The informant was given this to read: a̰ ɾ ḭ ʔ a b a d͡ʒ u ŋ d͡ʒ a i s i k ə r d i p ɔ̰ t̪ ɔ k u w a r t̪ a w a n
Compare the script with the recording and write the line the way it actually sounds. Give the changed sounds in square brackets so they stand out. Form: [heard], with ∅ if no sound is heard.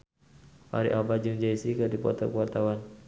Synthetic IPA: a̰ ɾ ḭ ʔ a b a d͡ʒ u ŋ d͡ʒ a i s i k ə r d i p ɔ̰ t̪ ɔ k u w a r t̪ a w a n